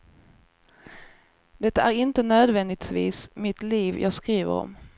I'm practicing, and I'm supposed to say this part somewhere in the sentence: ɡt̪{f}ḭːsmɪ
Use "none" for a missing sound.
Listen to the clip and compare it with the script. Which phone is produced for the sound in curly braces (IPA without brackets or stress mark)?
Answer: v